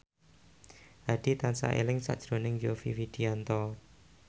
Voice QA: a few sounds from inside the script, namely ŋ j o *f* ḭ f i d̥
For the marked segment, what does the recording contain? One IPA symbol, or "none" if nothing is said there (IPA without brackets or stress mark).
f